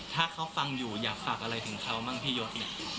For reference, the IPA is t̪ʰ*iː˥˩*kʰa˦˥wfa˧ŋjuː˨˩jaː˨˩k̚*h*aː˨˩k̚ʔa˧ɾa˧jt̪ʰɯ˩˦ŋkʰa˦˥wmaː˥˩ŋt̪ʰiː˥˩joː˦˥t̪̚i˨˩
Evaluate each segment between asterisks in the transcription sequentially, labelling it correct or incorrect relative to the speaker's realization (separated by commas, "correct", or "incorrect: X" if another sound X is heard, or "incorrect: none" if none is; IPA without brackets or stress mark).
incorrect: aː˥˩, incorrect: f